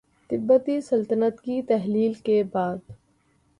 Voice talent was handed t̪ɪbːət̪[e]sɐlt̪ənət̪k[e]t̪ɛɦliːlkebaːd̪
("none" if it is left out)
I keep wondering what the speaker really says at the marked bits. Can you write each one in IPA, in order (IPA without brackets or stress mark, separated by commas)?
i, i